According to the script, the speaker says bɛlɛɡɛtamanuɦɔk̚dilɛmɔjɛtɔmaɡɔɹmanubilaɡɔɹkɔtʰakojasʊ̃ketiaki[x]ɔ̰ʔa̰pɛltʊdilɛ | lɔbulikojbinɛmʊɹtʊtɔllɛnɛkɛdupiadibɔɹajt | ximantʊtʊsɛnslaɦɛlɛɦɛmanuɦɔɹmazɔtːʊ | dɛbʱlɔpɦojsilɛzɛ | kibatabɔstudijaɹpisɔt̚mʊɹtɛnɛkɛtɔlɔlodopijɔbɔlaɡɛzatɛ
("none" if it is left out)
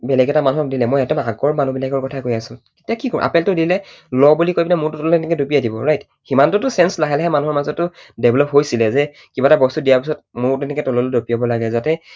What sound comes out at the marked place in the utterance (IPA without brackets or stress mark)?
k